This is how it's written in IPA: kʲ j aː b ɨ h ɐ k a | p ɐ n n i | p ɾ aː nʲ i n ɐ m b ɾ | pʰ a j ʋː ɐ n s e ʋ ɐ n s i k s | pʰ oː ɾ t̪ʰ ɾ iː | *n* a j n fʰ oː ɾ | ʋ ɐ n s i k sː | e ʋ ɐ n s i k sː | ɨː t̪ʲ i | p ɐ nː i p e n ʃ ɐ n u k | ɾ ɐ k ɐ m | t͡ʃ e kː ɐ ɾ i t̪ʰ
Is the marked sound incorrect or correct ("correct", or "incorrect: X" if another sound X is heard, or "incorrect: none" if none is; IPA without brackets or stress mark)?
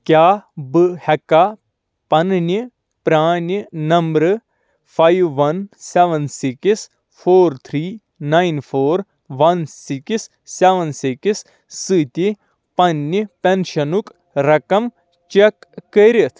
correct